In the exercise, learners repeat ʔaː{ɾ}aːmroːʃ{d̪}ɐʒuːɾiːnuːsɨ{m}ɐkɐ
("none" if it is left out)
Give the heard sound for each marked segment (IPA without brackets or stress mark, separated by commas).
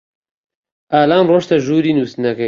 l, t̪, n